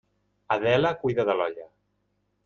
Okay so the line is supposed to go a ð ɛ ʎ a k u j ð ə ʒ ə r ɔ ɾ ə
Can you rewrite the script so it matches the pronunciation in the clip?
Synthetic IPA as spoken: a ð ɛ l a k u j ð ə ð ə l ɔ ʎ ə

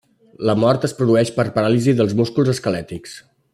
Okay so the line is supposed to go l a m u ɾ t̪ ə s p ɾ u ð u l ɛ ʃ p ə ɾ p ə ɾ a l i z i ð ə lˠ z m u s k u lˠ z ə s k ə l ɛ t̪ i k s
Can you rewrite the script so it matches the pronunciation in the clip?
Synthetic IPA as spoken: l ə m ɔ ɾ t̪ ə s p ɾ u ð u ɛ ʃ p ə ɾ p ə ɾ a l i z i ð ə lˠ z m u s k u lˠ z ə s k ə l ɛ t̪ i k s

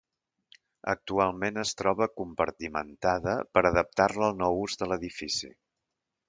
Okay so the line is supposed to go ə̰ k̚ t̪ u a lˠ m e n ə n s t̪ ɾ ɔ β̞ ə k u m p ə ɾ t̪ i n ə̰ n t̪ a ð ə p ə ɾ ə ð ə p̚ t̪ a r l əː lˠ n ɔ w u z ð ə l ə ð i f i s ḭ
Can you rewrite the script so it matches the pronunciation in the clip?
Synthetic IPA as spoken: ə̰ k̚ t̪ u a lˠ m e n ə s t̪ ɾ ɔ β̞ ə k u m p ə ɾ t̪ i m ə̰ n t̪ a ð ə p ə ɾ ə ð ə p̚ t̪ a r l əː lˠ n ɔ w u z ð ə l ə ð i f i s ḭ

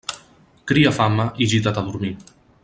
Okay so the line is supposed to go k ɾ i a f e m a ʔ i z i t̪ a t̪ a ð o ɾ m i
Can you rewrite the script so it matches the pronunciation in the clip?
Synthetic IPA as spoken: k ɾ i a f a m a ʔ i ʒ i t̪ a t̪ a ð u ɾ m i

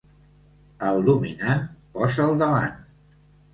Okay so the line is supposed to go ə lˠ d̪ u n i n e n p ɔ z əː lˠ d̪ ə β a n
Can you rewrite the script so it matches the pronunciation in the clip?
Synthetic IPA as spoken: ə lˠ d̪ u m i n a n p ɔ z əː lˠ d̪ ə β a n

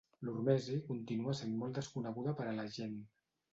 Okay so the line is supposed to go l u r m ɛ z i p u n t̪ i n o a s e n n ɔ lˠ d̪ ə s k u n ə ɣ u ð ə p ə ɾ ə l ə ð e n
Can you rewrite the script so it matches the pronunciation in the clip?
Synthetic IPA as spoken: l u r m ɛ z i k u n t̪ i n u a s e n m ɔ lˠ d̪ ə s k u n ə ɣ u ð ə p ə ɾ ə l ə ʒ e n

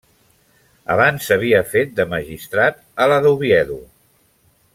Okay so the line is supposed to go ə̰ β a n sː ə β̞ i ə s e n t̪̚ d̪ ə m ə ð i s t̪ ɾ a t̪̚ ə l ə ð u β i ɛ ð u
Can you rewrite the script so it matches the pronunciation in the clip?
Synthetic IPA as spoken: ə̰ β a n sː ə β̞ i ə f e t̪̚ d̪ ə m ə ʒ i s t̪ ɾ a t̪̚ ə l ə ð u β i ɛ ð u

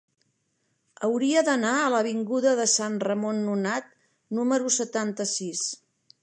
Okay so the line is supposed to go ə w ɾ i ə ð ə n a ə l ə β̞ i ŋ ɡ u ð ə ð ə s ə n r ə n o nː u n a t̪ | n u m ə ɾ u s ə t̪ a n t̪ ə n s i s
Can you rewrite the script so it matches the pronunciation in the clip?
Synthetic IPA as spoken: ə w ɾ i ə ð ə n a ə l ə β̞ i ŋ ɡ u ð ə ð ə s a n r ə m o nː u n a t̪ | n u m ə ɾ u s ə t̪ a n t̪ ə s i s

